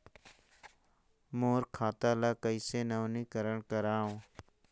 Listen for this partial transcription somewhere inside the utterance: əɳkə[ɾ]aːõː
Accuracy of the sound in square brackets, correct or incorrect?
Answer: correct